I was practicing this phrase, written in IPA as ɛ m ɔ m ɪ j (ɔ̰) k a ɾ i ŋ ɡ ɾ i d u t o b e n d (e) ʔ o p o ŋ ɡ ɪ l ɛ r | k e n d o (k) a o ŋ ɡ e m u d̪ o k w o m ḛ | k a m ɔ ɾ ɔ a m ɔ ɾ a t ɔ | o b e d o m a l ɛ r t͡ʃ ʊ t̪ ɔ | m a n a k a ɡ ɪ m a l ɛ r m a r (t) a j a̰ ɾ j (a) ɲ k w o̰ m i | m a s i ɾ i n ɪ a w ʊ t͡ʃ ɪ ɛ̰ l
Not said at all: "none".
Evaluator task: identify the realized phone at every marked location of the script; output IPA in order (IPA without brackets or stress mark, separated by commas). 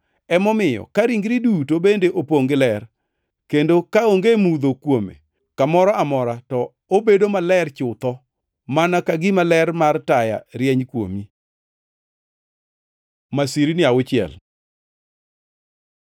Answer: ɔ̰, e, k, t, ɛ